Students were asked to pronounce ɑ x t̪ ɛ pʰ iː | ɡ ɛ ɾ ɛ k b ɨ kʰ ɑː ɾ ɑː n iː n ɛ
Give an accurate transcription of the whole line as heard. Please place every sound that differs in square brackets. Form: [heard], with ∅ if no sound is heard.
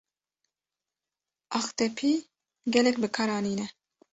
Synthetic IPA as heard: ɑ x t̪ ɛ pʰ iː | ɡ ɛ [l] ɛ k b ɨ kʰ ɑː ɾ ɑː n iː n ɛ

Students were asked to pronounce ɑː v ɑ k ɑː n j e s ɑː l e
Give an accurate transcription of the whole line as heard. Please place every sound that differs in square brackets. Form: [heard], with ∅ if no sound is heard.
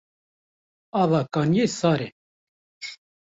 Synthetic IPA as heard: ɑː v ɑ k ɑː n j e s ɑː [ɾ] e

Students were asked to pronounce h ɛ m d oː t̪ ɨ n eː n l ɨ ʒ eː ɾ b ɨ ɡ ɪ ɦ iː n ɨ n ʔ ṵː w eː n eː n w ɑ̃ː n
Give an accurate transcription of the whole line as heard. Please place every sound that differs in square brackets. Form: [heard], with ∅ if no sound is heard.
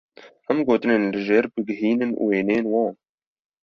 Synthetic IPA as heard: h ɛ m [ɡ] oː t̪ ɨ n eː n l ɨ ʒ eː ɾ b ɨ ɡ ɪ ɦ iː n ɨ n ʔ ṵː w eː n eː n w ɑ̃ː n

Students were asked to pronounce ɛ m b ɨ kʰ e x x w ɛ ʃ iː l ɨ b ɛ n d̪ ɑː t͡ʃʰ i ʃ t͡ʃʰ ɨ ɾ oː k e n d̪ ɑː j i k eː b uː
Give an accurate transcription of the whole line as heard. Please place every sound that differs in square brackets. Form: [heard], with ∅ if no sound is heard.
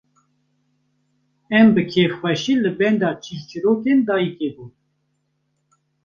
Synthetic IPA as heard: ɛ m b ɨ kʰ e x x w ɛ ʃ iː l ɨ b ɛ n d̪ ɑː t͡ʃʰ i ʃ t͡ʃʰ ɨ ɾ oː k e n d̪ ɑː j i k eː b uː

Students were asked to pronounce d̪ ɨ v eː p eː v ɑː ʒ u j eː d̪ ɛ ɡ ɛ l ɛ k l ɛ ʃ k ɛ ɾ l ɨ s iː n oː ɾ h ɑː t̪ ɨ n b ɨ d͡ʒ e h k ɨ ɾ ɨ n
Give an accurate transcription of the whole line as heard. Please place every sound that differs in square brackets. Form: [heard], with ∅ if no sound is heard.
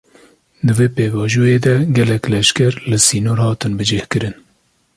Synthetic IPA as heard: d̪ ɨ v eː p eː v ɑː ʒ u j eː d̪ ɛ ɡ ɛ l ɛ k l ɛ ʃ k ɛ ɾ l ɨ s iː n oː ɾ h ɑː t̪ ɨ n b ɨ d͡ʒ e h k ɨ ɾ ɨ n

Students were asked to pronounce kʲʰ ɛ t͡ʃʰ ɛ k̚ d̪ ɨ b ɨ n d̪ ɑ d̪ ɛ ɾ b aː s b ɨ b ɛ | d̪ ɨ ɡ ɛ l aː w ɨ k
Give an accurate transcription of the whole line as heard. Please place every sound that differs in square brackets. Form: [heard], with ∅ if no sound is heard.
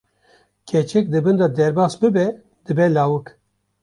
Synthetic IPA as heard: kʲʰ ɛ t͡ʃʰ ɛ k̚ d̪ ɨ b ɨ n d̪ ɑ d̪ ɛ ɾ b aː s b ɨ b ɛ | d̪ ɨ [b] ɛ l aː w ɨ k

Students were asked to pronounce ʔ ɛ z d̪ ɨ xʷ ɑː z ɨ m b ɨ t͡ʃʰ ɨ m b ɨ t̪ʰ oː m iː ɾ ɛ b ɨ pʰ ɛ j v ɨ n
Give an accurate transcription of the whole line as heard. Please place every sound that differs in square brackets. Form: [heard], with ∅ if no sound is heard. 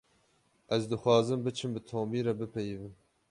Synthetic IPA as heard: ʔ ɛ z d̪ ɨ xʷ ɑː z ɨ m b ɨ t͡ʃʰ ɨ m b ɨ t̪ʰ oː m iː ɾ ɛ b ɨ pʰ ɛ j v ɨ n

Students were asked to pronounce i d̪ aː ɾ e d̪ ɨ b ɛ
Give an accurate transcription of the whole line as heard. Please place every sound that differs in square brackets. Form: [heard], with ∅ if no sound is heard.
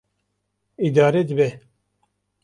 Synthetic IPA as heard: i d̪ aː ɾ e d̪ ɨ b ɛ

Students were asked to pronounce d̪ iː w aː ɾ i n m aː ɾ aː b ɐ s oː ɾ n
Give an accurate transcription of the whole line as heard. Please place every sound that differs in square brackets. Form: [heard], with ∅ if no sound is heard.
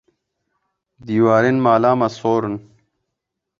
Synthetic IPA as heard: d̪ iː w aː ɾ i n m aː [l] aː [m] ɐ s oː ɾ n

